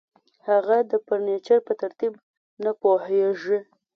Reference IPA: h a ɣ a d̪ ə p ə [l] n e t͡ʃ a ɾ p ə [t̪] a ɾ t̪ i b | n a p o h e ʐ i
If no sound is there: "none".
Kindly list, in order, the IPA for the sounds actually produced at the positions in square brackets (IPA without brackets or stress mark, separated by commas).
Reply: ɾ, t̪